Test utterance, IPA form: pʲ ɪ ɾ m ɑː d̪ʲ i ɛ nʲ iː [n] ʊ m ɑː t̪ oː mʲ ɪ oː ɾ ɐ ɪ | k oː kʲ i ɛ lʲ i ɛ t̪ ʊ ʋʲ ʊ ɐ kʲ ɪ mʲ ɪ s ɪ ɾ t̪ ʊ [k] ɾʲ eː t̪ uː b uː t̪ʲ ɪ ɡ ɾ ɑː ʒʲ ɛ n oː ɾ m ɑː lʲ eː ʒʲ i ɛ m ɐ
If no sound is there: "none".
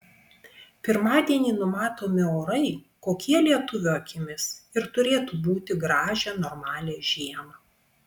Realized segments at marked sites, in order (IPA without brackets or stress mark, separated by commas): n, none